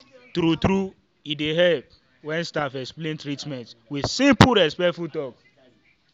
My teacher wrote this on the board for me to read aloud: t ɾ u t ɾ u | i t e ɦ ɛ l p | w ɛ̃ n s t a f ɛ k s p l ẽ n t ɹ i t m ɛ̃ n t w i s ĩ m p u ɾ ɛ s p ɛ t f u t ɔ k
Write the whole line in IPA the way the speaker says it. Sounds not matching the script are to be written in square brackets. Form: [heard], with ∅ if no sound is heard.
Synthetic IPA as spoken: t ɾ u t ɾ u | i [d] e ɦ ɛ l p | w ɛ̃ n s t a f ɛ k s p l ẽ n t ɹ i t m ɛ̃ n t w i s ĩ m p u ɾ ɛ s p ɛ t f u t ɔ k

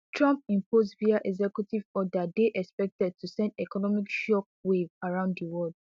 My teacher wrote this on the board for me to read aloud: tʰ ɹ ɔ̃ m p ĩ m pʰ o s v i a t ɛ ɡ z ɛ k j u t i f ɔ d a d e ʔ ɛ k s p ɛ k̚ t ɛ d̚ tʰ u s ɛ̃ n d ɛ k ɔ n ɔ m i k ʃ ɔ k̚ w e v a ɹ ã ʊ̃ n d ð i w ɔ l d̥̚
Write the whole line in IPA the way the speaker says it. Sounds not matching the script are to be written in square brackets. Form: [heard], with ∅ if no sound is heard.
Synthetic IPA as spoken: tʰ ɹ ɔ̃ m p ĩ m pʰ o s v i a [ʔ] ɛ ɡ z ɛ k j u t i [v] ɔ d a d e ʔ ɛ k s p ɛ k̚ t ɛ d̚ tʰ u s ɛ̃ n d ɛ k ɔ n ɔ m i k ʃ ɔ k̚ w e v a ɹ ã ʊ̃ n d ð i w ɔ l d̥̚

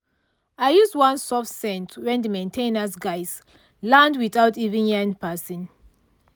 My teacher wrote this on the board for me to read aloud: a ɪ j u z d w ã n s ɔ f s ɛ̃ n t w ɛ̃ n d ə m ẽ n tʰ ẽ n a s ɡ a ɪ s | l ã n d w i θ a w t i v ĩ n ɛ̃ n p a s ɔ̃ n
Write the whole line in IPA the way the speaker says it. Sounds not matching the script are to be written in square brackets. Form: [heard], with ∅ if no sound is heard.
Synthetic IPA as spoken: a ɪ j u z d w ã n s ɔ f s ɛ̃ n t w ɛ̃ n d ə m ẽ n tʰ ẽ n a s ɡ a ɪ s | l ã n d w i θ a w t i v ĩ n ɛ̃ n p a s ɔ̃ n

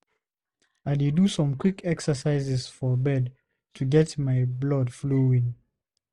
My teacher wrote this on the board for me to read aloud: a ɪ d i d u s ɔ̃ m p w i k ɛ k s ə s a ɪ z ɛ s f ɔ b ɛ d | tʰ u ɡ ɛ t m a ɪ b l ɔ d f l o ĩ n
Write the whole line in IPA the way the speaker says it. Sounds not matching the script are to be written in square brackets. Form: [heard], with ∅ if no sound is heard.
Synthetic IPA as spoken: a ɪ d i d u s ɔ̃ m [k] w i k ɛ k s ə s a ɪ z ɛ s f ɔ b ɛ d | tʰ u ɡ ɛ t m a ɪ b l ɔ d f l o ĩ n

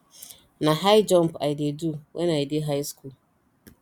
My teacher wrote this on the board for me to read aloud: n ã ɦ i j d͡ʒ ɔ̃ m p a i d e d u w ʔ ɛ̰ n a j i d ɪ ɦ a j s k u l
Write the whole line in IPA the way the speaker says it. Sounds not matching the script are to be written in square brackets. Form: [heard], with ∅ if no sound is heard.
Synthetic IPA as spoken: n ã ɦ [a] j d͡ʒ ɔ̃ m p a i d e d u w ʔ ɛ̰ n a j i d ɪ ɦ a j s k u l

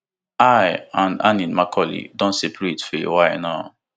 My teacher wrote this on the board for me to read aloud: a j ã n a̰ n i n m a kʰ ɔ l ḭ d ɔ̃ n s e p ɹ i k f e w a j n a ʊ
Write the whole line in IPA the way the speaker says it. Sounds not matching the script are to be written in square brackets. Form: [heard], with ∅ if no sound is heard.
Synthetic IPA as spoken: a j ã n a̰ n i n m a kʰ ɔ l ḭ d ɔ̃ n s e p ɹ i [t] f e w a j n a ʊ

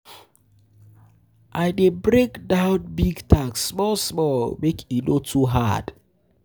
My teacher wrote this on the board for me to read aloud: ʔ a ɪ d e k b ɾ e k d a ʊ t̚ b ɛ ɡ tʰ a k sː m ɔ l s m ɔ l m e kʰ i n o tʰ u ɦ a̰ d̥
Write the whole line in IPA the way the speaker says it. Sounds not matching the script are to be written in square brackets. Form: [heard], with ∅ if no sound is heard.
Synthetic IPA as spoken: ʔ a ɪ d e [∅] b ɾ e k d a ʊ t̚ b [i] ɡ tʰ a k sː m ɔ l s m ɔ l m e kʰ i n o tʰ u ɦ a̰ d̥

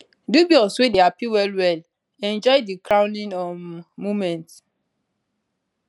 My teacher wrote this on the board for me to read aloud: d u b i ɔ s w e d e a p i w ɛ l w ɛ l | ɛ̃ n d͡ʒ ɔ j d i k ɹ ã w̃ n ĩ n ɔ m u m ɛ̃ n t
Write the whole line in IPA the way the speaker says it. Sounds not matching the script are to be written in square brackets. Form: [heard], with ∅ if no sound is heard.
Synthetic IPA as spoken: d u b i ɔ s w e d e a p i w ɛ l w ɛ l | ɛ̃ n d͡ʒ ɔ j d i k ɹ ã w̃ n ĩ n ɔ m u m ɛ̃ n t

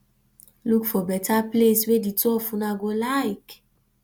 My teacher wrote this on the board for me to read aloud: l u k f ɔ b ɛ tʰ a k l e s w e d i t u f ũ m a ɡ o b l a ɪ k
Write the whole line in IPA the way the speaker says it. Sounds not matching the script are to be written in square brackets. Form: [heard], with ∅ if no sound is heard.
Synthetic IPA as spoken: l u k f ɔ b ɛ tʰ a [p] l e s w e d i t [ɔ] f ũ [n] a ɡ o [∅] l a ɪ k

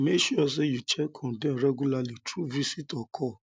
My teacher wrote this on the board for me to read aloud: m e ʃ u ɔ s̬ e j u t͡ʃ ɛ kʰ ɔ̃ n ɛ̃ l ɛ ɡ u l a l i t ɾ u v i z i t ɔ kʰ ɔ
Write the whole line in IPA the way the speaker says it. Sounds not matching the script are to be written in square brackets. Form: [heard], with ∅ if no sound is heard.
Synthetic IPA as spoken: m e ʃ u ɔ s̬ e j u t͡ʃ ɛ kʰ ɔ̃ [d] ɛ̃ [ɾ] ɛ ɡ u l a l i t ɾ u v i [s] i t ɔ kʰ ɔ

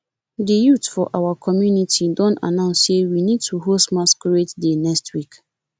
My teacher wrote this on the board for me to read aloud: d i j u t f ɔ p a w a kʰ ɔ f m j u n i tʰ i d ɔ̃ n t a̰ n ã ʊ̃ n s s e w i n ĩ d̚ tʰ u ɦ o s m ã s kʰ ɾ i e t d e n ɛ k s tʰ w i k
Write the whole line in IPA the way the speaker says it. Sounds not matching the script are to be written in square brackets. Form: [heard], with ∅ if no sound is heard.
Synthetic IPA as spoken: d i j u t f ɔ [ʔ] a w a kʰ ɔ [∅] m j u n i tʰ i d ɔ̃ n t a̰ n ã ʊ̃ n s s e w i n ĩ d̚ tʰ u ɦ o s m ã s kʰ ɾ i e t d e n ɛ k s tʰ w i k

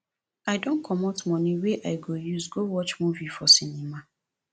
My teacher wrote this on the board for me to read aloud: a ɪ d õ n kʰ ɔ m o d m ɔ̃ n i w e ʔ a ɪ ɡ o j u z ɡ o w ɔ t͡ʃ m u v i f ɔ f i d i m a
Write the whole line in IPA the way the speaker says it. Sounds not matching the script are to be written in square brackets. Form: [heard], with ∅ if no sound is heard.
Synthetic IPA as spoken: a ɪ d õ n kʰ ɔ m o [t] m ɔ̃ n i w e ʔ a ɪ ɡ o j u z ɡ o w ɔ t͡ʃ m u v i f ɔ [s] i [n] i m a

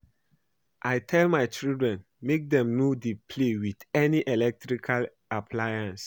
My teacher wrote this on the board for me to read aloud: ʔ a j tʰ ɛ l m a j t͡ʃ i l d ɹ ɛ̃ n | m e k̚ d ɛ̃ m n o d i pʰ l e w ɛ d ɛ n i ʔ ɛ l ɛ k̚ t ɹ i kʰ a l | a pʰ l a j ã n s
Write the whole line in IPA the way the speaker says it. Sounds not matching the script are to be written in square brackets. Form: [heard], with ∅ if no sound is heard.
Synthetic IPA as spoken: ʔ a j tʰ ɛ l m a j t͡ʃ i l d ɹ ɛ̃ n | m e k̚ d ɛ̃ m n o d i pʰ l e w [i] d ɛ n i ʔ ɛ l ɛ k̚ t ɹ i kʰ a l | a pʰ l a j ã n s

